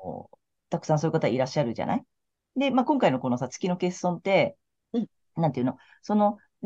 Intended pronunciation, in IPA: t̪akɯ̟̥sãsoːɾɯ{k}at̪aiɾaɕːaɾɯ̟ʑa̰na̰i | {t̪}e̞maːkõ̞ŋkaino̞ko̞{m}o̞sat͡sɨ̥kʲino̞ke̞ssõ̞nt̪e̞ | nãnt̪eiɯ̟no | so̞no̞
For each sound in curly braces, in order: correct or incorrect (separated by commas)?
correct, incorrect, incorrect